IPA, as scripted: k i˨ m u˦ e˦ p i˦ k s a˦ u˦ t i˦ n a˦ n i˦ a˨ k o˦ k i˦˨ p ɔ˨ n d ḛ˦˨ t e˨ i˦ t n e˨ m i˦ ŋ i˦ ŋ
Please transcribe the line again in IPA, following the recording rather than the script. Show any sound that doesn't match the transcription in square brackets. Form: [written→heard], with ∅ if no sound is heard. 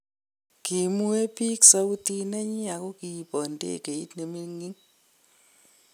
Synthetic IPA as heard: k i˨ m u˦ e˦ p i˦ k s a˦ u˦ t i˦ n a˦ [n→ɲ] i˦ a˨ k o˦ k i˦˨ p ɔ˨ n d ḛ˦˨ [t→k] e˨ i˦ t n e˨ m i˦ ŋ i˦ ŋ